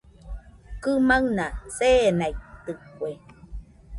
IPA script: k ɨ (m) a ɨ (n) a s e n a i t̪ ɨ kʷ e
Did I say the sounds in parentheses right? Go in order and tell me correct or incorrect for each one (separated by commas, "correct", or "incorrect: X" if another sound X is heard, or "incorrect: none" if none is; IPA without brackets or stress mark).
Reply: correct, correct